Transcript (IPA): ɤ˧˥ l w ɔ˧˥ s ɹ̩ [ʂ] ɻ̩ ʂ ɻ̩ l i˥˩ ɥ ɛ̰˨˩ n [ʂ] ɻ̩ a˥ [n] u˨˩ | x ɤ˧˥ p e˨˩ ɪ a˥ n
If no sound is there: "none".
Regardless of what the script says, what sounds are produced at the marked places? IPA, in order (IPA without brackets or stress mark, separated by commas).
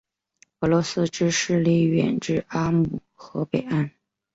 ʈ͡ʂ, ʈ͡ʂ, m